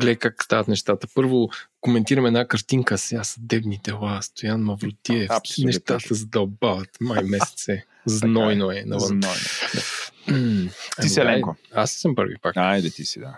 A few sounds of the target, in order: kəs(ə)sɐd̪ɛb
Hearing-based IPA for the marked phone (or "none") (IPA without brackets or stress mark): a